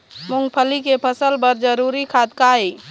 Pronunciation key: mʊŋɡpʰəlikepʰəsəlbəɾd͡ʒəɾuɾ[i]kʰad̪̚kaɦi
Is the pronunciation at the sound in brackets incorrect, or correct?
correct